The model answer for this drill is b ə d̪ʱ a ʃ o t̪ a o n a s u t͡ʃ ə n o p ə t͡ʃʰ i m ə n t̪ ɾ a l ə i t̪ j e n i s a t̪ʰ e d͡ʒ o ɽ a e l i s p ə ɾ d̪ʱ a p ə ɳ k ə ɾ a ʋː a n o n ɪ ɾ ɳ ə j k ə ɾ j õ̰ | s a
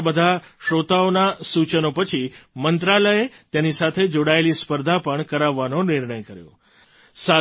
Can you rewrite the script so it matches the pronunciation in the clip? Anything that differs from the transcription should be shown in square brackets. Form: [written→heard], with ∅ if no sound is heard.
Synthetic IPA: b ə d̪ʱ a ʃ o t̪ a o n a s u t͡ʃ ə n o p ə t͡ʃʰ i m ə n t̪ ɾ a l ə [i→e] t̪ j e n i s a t̪ʰ e d͡ʒ o ɽ a e l i s p ə ɾ d̪ʱ a p ə ɳ k ə ɾ a ʋː a n o n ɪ ɾ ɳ ə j k ə ɾ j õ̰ | s a

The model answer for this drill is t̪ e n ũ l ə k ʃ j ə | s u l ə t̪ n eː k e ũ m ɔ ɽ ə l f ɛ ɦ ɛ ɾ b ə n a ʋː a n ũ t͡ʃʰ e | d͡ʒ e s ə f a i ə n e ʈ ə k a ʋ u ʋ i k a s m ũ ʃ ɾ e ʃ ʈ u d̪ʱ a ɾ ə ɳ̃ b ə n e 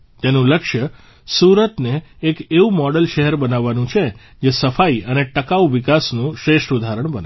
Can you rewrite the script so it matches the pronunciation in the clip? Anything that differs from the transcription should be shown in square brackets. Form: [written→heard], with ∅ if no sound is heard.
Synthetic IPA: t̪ e n ũ l ə k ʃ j ə | s u [l→ɾ] ə t̪ n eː k e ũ m ɔ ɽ ə l [f→ʃ] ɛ ɦ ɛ ɾ b ə n a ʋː a n ũ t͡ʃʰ e | d͡ʒ e s ə f a i ə n e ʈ ə k a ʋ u ʋ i k a s [m→n] ũ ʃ ɾ e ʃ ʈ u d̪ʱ a ɾ ə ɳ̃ b ə n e

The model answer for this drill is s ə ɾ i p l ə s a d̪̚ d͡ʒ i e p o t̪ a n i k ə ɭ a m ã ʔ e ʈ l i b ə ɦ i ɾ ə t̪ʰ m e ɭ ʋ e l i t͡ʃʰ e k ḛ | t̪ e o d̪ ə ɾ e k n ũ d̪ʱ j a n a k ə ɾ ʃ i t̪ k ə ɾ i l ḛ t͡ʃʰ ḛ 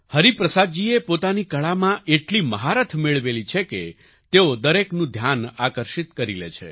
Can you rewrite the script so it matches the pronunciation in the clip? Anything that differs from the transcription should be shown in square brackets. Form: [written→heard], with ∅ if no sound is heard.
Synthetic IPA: [s→h] ə ɾ i p [l→ɾ] ə s a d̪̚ d͡ʒ i e p o t̪ a n i k ə ɭ a m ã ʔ e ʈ l i [b→m] ə ɦ [i→a] ɾ ə t̪ʰ m e ɭ ʋ e l i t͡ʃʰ e k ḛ | t̪ e o d̪ ə ɾ e k n ũ d̪ʱ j a n a k ə ɾ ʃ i t̪ k ə ɾ i l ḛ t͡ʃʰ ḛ

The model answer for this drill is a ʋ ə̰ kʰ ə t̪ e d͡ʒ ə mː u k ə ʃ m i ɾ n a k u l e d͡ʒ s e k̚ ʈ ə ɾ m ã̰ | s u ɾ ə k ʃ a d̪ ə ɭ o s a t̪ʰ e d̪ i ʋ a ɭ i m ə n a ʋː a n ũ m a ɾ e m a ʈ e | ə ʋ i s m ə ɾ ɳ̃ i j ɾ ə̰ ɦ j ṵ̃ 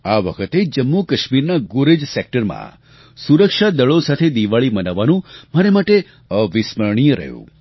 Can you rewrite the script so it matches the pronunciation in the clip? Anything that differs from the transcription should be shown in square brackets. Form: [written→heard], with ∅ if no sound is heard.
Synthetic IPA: a ʋ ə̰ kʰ ə t̪ e d͡ʒ ə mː u k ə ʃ m i ɾ n a [k→ɡ] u [l→ɾ] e d͡ʒ s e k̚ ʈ ə ɾ m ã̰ | s u ɾ ə k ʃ a d̪ ə ɭ o s a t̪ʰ e d̪ i ʋ a ɭ i m ə n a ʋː a n ũ m a ɾ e m a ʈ e | ə ʋ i s m ə ɾ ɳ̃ i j ɾ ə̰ ɦ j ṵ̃

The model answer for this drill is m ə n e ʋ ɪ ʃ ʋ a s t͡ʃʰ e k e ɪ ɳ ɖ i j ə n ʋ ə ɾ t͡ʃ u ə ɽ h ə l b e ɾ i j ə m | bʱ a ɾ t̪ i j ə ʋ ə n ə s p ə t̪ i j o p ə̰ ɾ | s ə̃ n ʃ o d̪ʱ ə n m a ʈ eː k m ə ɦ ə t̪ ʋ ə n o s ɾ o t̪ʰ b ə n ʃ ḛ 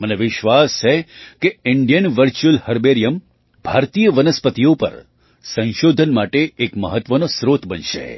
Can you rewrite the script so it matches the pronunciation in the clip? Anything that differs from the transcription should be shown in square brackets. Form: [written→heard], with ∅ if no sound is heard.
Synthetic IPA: m ə n e ʋ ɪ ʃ ʋ a s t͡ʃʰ e k e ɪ ɳ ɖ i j ə n ʋ ə ɾ t͡ʃ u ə [ɽ→l] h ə [l→ɾ] b e ɾ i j ə m | bʱ a ɾ t̪ i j ə ʋ ə n ə s p ə t̪ i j o p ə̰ ɾ | s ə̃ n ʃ o d̪ʱ ə n m a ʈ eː k m ə ɦ ə t̪ ʋ ə n o s ɾ o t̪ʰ b ə n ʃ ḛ

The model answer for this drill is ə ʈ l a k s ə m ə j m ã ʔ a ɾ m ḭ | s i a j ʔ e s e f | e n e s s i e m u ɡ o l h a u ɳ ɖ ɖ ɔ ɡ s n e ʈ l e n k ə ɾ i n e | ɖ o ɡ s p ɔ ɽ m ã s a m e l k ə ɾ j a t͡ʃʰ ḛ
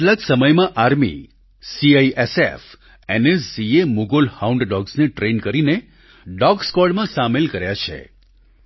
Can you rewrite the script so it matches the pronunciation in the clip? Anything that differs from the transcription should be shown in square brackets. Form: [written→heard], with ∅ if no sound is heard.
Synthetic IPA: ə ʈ l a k s ə m ə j m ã ʔ a ɾ m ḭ | s i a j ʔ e s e f | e n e s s i e m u ɡ o l h a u ɳ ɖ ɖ ɔ ɡ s n e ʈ [l→ɾ] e n k ə ɾ i n e | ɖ [o→ɔ] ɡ s [p→k] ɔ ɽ m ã s a m e l k ə ɾ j a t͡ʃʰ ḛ

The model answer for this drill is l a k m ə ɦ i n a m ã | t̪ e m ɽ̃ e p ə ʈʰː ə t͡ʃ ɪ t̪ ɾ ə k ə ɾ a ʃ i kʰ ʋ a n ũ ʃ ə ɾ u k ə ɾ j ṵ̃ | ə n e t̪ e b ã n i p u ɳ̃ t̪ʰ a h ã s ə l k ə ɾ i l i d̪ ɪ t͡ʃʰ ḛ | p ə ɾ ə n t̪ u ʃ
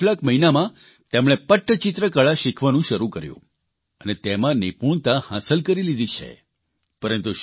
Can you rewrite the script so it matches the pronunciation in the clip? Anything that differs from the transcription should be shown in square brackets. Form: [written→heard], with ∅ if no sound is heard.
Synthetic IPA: l a k m ə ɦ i n a m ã | t̪ e m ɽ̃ e p ə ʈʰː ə t͡ʃ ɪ t̪ ɾ ə k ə [ɾ→ɭ] a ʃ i kʰ ʋ a n ũ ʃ ə ɾ u k ə ɾ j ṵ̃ | ə n e t̪ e [b→m] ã n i p u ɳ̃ [t̪ʰ→t̪] a h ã s ə l k ə ɾ i l i d̪ [ɪ→i] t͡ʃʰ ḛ | p ə ɾ ə n t̪ u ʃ

